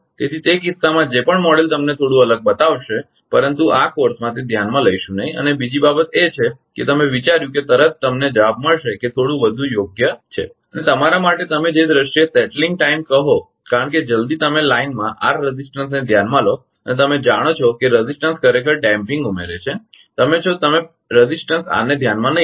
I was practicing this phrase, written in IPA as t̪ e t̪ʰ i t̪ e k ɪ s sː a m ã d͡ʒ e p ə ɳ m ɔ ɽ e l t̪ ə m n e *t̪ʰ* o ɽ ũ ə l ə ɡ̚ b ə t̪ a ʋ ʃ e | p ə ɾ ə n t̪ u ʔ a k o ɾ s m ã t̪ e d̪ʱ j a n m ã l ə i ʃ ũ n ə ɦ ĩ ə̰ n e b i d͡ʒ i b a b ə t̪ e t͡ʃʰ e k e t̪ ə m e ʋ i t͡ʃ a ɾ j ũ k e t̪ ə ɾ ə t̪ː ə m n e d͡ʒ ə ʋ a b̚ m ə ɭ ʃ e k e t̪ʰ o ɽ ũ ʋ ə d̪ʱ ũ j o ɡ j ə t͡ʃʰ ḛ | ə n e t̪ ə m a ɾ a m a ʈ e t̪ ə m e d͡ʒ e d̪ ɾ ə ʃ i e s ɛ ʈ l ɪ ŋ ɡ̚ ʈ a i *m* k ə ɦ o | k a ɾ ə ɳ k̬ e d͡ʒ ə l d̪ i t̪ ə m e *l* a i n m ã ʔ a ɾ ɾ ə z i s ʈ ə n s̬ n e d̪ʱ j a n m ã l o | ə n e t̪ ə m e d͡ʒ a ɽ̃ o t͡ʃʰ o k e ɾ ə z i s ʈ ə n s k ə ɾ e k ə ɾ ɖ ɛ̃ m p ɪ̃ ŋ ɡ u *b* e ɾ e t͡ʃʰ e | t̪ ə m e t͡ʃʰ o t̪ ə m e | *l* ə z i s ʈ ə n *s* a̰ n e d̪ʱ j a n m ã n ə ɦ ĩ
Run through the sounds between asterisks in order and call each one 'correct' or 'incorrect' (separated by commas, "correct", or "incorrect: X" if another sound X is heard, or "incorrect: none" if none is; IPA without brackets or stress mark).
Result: correct, correct, correct, incorrect: m, incorrect: ɾ, correct